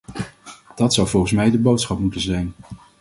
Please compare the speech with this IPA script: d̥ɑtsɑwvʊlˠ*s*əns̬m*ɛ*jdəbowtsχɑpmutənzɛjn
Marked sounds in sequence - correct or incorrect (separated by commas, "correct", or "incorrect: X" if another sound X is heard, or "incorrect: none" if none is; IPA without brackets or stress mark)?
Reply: incorrect: χ, correct